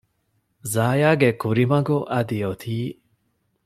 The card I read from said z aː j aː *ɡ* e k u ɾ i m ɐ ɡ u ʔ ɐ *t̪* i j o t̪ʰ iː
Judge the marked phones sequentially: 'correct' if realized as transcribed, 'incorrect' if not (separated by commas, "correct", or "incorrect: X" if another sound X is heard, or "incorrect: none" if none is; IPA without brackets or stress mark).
correct, incorrect: d̪